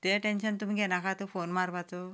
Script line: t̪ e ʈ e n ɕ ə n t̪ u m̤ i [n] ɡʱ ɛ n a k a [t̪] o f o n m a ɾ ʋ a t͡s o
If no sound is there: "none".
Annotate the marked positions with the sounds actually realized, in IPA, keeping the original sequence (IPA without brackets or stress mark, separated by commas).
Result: none, t̪